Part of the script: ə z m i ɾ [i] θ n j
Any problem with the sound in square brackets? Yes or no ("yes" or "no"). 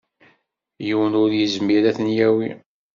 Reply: yes